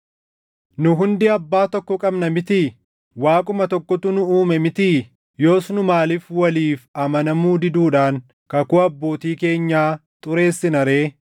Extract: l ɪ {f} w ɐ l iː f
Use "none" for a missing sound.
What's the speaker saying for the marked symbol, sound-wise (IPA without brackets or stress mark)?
f